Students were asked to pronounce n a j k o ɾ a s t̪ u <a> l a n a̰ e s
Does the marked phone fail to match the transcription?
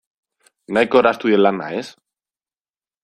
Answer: yes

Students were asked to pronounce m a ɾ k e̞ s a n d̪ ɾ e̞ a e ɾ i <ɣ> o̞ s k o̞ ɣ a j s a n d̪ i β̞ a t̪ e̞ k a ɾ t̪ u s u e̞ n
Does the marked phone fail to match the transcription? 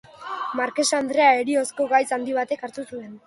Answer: yes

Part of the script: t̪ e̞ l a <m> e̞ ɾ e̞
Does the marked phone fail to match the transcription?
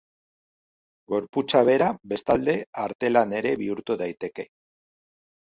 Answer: yes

